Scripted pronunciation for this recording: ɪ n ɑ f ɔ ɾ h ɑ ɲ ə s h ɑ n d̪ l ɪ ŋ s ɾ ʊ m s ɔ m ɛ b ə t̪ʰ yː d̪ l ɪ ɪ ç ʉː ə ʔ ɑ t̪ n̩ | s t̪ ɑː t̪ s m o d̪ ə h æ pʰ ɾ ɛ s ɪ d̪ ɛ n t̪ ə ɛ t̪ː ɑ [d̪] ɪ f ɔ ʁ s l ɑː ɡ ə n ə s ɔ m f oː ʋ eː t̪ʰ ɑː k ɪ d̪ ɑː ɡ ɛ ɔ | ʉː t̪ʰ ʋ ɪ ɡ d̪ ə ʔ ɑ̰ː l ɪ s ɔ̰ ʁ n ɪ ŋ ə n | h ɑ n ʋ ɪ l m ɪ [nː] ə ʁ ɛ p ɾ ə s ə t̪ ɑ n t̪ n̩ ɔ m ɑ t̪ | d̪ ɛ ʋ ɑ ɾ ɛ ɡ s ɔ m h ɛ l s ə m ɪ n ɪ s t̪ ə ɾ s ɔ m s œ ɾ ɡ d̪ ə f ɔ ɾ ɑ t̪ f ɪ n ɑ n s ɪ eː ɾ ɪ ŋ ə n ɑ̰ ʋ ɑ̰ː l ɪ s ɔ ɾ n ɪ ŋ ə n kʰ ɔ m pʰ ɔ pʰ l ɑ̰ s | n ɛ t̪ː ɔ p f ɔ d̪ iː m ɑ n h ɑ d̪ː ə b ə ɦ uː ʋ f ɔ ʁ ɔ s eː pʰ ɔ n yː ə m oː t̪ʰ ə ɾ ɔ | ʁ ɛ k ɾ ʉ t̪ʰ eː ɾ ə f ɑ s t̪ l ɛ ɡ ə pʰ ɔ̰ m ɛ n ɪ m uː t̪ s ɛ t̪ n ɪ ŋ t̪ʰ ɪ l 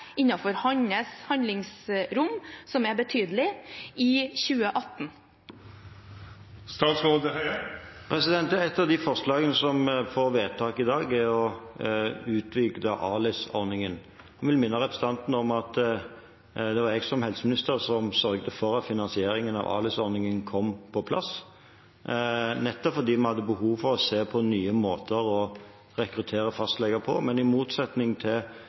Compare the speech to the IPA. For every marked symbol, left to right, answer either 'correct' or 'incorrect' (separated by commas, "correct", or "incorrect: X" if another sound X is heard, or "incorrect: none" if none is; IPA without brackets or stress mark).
correct, correct